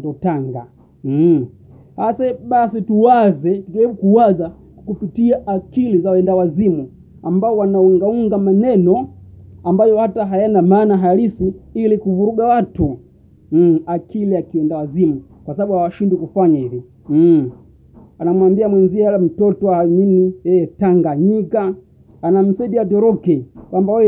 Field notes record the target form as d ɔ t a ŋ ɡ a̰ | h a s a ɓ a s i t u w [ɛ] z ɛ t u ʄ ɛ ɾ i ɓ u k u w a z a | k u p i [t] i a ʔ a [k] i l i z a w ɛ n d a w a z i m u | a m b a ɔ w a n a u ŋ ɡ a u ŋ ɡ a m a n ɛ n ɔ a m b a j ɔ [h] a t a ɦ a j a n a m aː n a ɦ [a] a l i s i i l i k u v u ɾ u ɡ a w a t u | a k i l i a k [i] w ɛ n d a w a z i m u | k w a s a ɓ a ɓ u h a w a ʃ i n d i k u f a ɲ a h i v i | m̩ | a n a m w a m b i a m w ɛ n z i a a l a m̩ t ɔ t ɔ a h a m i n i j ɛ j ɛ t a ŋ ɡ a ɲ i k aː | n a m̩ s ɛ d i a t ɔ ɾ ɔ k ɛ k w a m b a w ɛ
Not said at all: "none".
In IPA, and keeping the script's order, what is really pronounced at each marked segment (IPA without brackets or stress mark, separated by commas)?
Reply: a, t, k, h, a, i